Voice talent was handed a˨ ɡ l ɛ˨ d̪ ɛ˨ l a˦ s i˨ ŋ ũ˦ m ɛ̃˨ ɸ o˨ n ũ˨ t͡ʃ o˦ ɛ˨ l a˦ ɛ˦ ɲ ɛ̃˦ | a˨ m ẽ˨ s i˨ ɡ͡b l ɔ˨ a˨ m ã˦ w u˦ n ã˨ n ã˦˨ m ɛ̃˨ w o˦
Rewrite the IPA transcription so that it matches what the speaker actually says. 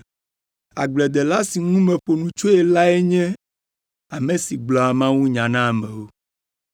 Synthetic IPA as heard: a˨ ɡ͡b l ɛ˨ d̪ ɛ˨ l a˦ s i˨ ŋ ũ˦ m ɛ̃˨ ɸ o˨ n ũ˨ t͡ʃ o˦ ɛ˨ l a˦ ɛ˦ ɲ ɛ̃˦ | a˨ m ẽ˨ s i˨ ɡ͡b l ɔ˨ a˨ m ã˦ w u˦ ɲ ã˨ n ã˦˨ m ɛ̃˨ w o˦